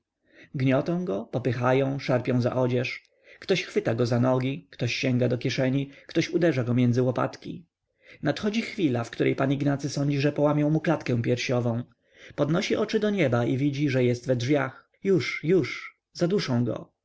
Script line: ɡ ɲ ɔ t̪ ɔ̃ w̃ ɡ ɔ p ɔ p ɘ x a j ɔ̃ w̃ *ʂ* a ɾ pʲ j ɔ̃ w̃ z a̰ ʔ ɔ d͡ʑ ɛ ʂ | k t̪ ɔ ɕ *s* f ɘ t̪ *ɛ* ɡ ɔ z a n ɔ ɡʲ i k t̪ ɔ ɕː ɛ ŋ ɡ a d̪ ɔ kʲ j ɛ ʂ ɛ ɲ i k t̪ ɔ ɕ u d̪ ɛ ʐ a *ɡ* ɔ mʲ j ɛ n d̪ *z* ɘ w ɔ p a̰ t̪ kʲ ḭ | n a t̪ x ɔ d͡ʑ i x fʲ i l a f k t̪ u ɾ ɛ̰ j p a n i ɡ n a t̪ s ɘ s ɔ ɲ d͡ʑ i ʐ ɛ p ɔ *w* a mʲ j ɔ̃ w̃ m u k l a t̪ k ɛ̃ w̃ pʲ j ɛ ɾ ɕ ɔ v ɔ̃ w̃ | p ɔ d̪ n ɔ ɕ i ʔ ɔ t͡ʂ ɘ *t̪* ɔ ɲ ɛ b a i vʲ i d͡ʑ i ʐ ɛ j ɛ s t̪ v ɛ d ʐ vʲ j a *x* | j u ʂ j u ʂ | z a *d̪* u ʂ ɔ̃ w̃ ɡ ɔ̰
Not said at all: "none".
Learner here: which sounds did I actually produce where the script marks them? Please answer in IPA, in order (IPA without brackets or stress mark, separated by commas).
ʂ, x, a, ɡ, z, w, d̪, x, d̪